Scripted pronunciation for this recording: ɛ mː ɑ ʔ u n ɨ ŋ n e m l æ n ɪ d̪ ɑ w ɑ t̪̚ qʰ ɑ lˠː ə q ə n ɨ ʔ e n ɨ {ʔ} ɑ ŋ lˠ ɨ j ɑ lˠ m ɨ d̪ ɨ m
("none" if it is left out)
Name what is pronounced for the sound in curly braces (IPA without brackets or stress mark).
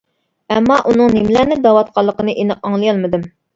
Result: q